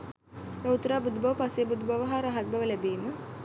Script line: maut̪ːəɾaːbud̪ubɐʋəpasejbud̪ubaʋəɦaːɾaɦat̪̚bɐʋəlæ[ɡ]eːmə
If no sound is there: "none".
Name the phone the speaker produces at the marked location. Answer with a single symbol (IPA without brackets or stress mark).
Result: b